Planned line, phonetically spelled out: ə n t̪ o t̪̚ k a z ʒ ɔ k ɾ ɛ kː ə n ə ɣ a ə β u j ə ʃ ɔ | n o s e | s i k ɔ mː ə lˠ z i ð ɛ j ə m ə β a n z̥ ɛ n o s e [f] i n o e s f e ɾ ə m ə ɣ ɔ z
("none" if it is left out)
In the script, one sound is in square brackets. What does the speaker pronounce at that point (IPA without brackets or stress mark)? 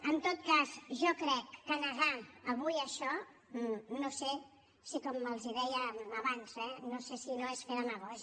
s